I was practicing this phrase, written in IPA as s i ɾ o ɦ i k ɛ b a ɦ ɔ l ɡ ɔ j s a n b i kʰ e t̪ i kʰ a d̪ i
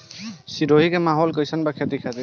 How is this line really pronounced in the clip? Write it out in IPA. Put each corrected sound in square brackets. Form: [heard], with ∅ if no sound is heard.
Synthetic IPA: s i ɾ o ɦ i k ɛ [m] a ɦ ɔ l [k] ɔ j s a n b [a] kʰ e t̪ i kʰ a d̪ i